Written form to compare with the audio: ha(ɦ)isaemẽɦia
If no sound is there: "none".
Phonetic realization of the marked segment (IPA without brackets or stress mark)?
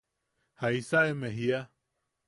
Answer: none